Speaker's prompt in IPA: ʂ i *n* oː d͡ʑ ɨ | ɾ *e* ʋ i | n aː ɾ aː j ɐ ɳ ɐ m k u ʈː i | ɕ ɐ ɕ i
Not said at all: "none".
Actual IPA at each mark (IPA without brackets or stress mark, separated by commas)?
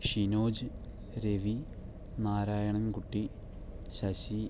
n, e